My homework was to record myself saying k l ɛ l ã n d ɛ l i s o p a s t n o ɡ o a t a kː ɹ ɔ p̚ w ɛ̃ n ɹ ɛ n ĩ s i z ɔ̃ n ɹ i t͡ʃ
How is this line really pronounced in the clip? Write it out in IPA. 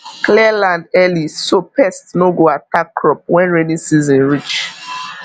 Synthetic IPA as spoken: k l ɛ l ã n d ɛ l i s o p ɛ s t n o ɡ o a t a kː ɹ ɔ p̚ w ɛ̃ n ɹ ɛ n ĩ s i z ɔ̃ n ɹ i t͡ʃ